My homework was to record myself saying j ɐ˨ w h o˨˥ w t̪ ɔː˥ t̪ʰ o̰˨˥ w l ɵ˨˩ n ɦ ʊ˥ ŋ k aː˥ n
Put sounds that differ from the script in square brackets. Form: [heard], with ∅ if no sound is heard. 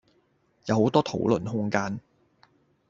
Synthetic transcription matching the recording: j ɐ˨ w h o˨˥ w t̪ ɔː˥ t̪ʰ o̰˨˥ w l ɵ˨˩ n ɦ ʊ˥ ŋ k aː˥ n